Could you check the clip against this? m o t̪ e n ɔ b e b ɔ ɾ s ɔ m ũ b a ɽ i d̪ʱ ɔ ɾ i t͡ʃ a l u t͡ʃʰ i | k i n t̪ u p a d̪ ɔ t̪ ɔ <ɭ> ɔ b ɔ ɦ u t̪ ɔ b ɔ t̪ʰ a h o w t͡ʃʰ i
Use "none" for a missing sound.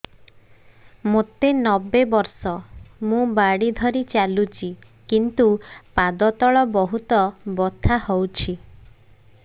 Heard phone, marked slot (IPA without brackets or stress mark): ɭ